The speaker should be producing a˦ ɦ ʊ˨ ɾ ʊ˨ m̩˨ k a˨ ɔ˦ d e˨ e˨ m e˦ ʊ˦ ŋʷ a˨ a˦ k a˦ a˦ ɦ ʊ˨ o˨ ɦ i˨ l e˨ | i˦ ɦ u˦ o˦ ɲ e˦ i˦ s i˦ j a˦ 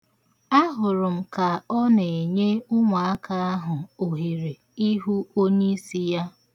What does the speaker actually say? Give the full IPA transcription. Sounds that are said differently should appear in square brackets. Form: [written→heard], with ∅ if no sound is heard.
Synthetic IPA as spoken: a˦ ɦ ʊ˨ ɾ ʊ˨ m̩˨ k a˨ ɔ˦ [d→n] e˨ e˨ [m→ɲ] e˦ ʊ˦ ŋʷ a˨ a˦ k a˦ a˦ ɦ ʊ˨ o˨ ɦ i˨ [l→ɾ] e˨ | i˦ ɦ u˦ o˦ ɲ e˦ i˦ s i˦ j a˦